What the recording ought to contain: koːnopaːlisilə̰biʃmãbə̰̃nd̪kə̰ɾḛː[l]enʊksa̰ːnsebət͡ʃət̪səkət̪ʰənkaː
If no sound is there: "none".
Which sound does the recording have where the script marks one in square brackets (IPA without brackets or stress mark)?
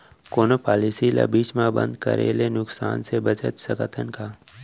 l